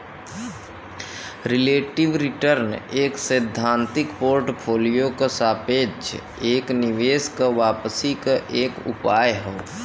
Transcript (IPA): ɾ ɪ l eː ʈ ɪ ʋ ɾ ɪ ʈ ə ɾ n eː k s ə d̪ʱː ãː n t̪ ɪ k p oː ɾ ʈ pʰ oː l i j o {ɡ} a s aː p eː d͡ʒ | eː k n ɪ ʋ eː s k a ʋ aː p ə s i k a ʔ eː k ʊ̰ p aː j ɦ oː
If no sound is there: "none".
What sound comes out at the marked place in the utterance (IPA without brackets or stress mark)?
k